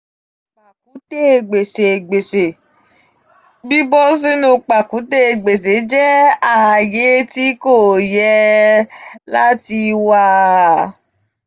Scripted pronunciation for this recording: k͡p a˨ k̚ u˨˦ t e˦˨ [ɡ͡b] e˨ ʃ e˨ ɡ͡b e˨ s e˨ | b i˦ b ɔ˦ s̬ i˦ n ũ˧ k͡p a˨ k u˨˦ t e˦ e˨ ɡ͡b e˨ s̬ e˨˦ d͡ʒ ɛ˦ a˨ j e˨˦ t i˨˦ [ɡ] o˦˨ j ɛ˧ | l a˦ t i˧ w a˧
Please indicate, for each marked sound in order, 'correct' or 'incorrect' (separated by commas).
correct, incorrect